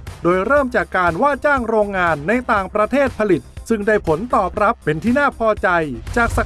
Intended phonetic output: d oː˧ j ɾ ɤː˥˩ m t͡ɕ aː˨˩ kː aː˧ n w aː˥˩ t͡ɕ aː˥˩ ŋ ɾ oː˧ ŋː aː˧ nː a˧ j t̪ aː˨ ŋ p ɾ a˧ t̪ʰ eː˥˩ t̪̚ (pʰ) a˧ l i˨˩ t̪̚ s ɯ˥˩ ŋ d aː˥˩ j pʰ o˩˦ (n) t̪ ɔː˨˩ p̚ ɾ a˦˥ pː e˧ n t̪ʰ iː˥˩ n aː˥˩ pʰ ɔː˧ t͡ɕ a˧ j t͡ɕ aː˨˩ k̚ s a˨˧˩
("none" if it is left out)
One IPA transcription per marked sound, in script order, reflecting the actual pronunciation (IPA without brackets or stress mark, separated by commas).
pʰ, n